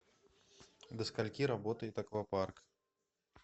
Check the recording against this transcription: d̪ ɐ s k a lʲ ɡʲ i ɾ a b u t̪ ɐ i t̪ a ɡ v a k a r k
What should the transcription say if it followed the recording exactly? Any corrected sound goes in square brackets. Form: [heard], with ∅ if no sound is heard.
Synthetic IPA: d̪ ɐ s k a lʲ [kʲ] i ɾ a b [ɔ] t̪ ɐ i t̪ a [k] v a [p] a r k